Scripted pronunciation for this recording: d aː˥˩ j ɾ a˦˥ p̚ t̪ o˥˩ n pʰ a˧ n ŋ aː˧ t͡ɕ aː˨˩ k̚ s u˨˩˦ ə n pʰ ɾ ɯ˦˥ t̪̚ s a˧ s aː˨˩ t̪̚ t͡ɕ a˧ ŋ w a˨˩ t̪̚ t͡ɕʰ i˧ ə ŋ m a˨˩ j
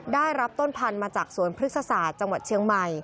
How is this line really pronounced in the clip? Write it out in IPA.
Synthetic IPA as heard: d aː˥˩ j ɾ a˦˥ p̚ t̪ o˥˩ n pʰ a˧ n m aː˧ t͡ɕ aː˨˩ k̚ s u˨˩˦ ə n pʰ ɾ ɯ˦˥ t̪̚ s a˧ s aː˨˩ t̪̚ t͡ɕ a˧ ŋ w a˨˩ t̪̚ t͡ɕʰ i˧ ə ŋ m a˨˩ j